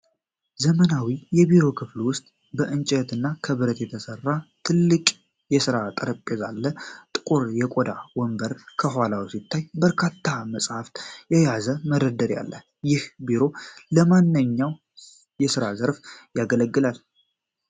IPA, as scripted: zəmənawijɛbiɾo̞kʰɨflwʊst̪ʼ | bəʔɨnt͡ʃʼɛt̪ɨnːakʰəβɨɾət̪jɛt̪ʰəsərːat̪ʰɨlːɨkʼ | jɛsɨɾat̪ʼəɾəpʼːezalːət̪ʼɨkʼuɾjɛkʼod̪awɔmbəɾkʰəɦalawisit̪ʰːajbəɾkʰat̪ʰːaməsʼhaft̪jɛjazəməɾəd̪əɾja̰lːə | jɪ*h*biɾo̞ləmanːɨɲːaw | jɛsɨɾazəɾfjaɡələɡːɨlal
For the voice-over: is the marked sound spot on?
yes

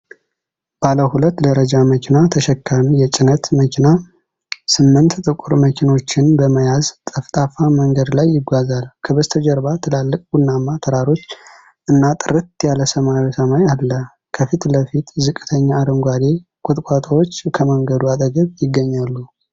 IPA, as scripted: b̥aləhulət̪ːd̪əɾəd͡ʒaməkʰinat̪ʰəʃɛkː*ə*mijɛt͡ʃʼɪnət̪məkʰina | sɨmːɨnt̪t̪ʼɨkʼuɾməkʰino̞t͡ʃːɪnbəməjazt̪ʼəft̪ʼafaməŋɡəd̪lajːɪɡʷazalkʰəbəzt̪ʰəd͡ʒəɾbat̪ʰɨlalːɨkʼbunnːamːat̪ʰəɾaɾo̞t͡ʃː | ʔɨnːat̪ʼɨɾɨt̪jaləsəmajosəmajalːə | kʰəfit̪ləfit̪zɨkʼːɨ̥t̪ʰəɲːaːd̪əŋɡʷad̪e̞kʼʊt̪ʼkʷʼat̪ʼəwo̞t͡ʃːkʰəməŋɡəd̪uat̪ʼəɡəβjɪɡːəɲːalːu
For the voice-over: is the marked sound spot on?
no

